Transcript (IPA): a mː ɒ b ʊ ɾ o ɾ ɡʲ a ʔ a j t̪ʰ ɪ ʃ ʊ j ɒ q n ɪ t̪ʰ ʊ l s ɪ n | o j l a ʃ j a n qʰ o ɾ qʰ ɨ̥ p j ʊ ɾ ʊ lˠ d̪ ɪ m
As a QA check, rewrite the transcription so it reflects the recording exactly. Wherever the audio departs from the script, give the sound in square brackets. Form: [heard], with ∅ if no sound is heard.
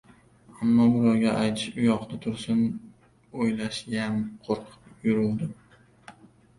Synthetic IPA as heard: a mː ɒ b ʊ ɾ [ɒ] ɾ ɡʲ a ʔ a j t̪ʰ ɪ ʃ ʊ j ɒ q n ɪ t̪ʰ ʊ [ɾ] s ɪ n | o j l a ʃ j a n qʰ o ɾ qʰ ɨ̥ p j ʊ ɾ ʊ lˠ d̪ ɪ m